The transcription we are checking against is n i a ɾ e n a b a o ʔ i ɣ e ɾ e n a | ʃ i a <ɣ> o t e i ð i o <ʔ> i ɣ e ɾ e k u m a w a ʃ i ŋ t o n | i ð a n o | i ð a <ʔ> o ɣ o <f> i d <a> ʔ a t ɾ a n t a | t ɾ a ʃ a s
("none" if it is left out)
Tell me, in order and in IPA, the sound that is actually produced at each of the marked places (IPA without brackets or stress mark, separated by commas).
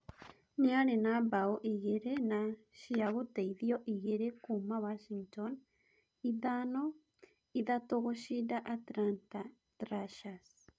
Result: ɣ, ʔ, t, ʃ, a